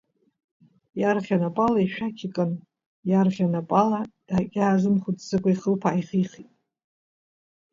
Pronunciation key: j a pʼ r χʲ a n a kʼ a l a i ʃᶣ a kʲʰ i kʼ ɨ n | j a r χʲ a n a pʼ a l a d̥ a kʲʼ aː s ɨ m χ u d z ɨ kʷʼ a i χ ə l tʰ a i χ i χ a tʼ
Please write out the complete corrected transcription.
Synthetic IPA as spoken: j a r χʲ a n a pʼ a l a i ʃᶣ a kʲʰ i kʼ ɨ n | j a r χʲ a n a pʼ a l a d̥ a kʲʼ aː z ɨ m χ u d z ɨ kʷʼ a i χ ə l pʰ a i χ i χ i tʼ